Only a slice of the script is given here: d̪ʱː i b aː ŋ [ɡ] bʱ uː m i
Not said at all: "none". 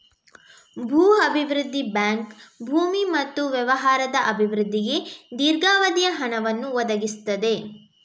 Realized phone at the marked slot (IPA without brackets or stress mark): k